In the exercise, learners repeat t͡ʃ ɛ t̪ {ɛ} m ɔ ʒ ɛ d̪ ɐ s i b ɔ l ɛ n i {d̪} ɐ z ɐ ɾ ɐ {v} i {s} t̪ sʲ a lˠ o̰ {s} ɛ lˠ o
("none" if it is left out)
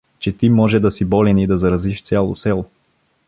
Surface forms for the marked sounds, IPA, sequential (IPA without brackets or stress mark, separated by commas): i, d̪, z, ʃ, s